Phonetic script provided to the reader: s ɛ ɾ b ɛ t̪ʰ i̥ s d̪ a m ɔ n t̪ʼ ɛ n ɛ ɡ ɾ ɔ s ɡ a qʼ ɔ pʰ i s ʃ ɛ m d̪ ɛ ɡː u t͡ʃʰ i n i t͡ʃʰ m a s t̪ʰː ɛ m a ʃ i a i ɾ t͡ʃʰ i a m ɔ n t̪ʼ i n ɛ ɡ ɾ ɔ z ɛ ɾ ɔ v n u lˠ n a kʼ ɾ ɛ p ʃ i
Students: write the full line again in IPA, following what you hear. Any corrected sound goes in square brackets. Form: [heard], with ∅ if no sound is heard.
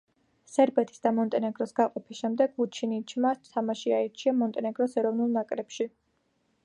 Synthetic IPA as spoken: s ɛ ɾ b ɛ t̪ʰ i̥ s d̪ a m ɔ n t̪ʼ ɛ n ɛ ɡ ɾ ɔ s ɡ a qʼ ɔ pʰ i s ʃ ɛ m d̪ ɛ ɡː u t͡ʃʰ i n i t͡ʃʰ m a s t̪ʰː [a] m a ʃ i a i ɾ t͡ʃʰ i a m ɔ n t̪ʼ [ɛ] n ɛ ɡ ɾ ɔ [s] ɛ ɾ ɔ v n u lˠ n a kʼ ɾ ɛ p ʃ i